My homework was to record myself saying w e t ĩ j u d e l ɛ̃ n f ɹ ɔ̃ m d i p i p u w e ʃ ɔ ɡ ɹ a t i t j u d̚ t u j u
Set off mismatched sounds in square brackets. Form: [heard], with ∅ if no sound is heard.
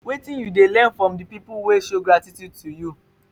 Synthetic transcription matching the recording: w e t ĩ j u d e l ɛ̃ n f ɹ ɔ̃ m d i p i p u w e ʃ [o] ɡ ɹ a t i t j u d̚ t u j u